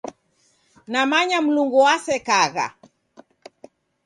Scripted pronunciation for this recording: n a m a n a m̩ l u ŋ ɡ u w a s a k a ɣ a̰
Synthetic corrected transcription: n a m a ɲ a m̩ l u ŋ ɡ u w a s ɛ k a ɣ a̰